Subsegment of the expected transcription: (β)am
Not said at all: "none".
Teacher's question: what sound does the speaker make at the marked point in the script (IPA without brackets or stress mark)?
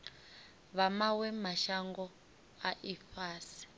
β